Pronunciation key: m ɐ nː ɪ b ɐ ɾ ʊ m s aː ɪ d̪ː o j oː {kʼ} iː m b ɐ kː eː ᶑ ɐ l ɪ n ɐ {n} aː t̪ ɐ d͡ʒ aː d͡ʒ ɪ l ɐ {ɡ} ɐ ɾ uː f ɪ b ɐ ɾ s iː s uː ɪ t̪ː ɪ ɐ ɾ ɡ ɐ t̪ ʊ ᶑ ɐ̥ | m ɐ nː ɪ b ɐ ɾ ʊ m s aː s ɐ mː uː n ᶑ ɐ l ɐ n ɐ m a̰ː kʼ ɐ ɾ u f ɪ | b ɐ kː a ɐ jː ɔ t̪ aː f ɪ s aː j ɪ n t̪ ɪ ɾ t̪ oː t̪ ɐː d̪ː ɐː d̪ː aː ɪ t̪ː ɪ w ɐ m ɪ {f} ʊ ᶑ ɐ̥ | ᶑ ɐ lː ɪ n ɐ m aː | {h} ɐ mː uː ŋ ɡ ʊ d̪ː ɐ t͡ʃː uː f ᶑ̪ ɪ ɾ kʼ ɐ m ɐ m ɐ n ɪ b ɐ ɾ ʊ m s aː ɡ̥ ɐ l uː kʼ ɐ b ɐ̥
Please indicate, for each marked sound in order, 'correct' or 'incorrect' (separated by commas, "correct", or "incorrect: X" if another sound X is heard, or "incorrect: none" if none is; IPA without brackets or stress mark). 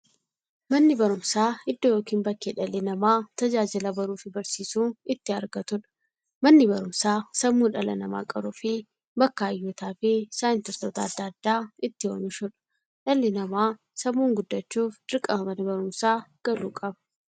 incorrect: k, incorrect: m, incorrect: b, incorrect: ʃ, incorrect: s